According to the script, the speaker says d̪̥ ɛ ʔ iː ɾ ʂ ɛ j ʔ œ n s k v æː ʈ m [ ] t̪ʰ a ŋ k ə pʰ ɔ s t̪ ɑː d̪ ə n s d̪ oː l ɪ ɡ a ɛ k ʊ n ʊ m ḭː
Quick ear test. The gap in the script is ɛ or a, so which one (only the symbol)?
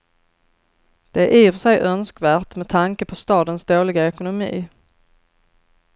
ɛ